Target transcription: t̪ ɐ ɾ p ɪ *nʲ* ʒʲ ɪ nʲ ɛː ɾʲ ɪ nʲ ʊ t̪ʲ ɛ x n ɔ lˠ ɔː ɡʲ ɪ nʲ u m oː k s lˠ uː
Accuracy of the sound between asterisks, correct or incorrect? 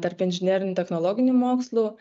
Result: correct